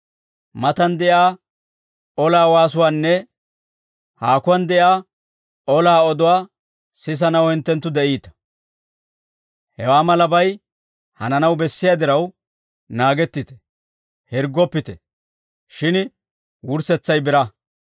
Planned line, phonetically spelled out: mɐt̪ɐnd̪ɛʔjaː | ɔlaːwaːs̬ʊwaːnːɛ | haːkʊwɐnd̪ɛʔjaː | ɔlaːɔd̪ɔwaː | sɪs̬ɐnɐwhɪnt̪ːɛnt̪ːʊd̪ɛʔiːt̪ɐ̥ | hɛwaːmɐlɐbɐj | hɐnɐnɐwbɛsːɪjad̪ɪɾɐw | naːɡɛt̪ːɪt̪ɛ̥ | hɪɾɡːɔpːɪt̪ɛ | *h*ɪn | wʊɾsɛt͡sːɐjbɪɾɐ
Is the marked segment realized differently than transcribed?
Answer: yes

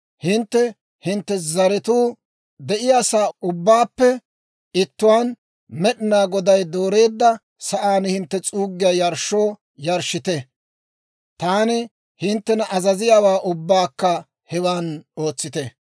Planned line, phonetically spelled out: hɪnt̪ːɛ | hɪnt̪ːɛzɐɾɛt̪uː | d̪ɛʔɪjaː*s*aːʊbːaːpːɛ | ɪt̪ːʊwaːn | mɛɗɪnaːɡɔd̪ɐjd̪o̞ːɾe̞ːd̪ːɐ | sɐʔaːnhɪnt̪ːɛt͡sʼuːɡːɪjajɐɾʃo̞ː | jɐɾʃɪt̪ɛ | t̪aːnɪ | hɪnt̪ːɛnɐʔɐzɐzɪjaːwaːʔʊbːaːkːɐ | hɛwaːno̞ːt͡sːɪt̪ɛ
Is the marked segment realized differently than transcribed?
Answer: no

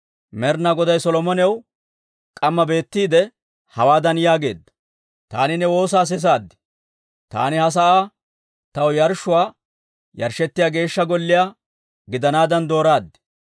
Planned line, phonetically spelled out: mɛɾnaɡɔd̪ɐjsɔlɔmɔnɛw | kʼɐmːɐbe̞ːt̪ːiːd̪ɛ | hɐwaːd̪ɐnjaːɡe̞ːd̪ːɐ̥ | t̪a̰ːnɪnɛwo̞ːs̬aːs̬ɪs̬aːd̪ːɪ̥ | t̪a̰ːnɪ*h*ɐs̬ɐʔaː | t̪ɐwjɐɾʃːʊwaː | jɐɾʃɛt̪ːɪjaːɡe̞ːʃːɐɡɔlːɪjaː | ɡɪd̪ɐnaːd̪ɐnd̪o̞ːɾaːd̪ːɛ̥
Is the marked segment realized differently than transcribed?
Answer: no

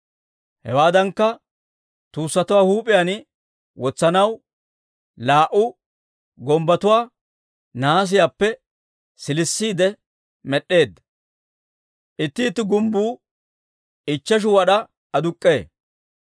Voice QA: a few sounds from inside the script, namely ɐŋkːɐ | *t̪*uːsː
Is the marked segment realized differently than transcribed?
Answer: no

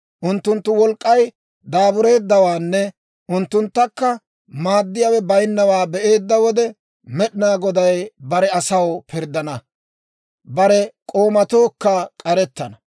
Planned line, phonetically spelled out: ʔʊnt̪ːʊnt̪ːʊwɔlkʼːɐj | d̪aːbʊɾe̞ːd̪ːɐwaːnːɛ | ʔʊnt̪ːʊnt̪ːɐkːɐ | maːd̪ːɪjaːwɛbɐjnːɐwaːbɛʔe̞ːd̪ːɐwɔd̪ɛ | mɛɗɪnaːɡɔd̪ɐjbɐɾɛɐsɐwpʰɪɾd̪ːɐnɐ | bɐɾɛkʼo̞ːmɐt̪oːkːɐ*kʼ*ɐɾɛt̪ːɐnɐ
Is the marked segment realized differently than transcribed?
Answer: no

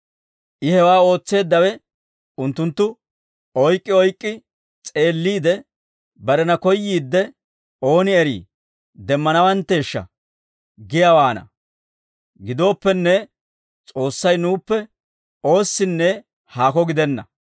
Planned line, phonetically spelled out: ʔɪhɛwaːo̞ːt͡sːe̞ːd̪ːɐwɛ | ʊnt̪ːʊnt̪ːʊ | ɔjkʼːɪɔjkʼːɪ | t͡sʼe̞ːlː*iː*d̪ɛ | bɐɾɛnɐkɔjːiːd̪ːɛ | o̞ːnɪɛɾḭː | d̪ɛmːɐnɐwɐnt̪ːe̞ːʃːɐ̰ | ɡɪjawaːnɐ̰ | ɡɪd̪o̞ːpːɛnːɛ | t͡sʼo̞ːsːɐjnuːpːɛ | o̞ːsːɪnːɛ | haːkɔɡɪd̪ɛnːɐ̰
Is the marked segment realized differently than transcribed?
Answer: no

